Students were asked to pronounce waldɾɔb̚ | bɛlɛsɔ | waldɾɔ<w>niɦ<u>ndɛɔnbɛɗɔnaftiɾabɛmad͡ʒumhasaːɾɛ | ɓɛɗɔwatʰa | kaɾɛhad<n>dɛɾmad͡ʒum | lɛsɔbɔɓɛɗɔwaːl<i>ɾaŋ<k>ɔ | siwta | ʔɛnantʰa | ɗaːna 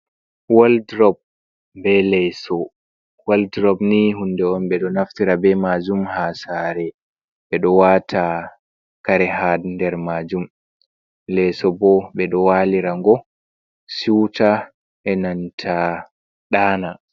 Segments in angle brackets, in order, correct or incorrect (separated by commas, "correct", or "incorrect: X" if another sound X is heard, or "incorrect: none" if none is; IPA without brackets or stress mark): incorrect: b, correct, correct, correct, incorrect: ɡ